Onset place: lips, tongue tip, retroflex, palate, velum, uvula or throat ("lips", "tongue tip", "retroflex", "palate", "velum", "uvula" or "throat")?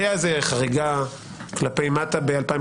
tongue tip